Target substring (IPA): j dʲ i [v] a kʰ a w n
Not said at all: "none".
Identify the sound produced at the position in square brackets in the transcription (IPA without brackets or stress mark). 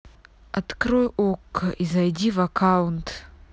v